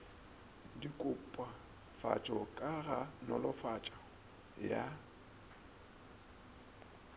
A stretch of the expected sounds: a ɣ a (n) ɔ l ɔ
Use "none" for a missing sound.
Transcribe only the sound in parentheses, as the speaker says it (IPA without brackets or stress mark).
n